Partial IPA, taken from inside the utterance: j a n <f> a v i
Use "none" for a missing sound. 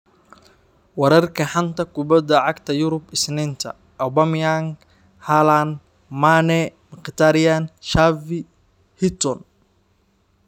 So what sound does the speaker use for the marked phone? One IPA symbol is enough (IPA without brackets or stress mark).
ʃ